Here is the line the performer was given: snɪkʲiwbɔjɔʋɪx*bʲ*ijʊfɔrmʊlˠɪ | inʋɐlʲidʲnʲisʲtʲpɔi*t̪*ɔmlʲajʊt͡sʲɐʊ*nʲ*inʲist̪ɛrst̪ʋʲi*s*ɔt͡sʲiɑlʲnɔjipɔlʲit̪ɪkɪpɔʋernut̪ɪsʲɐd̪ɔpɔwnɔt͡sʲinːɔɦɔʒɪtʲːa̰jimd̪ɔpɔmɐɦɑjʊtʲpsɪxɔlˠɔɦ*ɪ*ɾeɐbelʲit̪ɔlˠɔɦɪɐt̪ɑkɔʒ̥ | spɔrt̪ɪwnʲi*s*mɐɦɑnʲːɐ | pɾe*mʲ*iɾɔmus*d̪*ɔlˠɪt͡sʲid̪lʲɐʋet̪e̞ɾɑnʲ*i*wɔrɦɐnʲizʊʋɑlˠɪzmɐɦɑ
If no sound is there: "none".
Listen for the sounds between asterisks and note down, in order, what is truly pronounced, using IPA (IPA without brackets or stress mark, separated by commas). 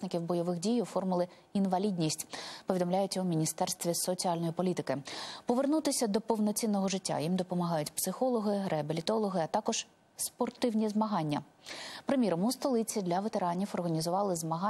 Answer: dʲ, d̪, mʲ, s, ɪ, z, mʲ, t̪, i